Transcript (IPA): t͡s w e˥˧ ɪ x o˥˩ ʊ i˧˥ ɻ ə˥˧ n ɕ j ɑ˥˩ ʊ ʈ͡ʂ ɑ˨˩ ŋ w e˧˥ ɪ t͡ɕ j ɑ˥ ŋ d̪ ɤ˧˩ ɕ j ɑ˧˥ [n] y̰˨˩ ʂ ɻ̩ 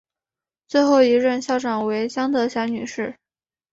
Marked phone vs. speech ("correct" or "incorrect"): correct